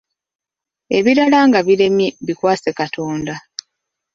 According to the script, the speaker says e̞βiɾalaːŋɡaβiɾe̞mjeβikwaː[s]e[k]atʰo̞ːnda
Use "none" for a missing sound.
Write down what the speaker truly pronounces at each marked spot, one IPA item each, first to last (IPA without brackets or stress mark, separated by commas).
s, k